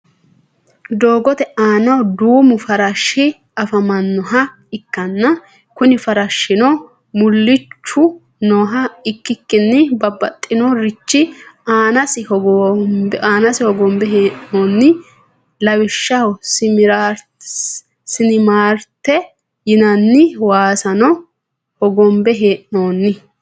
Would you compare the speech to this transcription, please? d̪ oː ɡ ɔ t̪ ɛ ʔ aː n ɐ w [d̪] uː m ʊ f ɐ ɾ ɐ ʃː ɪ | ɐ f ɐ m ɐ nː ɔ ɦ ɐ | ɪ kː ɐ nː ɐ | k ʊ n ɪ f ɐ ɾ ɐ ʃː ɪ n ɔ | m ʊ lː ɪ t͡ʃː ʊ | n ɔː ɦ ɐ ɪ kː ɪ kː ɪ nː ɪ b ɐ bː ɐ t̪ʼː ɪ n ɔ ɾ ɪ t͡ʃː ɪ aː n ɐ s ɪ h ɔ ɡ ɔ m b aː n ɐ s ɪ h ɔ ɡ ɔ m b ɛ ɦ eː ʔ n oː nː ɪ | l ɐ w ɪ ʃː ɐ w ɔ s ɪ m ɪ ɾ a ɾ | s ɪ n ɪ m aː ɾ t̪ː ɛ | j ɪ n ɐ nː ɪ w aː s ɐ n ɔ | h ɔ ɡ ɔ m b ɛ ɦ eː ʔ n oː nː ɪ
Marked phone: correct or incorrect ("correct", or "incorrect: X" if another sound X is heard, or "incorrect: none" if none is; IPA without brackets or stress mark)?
correct